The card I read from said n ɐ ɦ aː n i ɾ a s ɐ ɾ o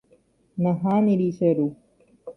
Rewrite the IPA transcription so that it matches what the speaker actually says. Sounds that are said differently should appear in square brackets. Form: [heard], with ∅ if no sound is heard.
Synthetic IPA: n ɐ ɦ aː n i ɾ [i] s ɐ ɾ [u]